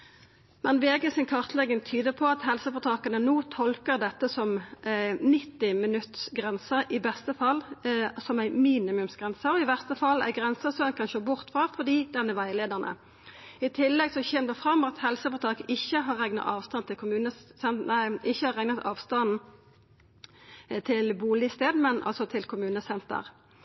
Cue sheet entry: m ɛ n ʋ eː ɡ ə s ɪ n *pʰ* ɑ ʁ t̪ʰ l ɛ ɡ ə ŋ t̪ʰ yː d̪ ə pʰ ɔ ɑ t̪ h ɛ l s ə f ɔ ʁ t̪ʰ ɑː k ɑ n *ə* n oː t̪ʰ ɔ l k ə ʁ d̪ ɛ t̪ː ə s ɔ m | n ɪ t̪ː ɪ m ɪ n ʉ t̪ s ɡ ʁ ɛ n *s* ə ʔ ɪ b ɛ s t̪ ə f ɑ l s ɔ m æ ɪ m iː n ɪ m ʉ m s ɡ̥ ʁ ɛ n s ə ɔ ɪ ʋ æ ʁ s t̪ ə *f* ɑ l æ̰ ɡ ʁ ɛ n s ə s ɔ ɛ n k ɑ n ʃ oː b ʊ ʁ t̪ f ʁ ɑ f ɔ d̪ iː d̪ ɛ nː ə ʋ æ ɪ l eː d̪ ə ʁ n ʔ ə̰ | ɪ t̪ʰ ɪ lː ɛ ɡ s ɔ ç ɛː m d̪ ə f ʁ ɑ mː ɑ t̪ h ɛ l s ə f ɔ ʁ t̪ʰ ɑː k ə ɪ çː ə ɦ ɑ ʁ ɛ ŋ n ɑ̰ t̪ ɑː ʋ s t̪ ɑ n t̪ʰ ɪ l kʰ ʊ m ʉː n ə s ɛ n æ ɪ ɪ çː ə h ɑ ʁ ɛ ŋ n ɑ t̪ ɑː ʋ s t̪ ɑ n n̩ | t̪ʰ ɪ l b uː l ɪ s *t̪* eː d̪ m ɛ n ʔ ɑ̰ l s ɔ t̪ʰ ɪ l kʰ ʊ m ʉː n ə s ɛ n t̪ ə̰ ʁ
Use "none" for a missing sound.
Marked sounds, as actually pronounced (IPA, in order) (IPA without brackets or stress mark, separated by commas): kʰ, ə, s, f, t̪